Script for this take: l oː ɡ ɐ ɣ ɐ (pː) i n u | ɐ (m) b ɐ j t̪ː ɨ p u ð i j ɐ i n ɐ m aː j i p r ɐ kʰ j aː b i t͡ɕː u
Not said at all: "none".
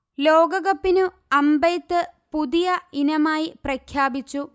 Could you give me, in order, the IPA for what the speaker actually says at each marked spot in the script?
pː, m

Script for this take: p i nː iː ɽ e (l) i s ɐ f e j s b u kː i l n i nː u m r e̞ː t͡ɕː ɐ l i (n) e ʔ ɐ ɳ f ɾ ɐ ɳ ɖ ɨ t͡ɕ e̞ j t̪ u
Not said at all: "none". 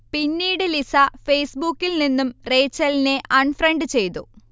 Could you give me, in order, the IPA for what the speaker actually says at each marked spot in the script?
l, n

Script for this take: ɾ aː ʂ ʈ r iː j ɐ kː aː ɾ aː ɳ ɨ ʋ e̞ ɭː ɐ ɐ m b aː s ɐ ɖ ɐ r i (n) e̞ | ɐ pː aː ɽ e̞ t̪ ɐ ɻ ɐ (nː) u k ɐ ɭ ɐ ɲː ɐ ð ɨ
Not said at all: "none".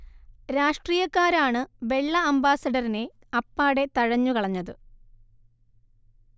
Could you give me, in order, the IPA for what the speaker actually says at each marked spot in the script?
n, ɲː

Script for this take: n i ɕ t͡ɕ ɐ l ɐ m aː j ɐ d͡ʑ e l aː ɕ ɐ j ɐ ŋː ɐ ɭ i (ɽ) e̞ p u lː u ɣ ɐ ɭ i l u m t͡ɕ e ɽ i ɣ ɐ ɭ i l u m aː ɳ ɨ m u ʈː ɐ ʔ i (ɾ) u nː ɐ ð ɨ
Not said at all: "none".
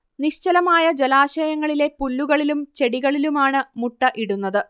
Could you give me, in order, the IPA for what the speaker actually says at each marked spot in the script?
l, ɽ

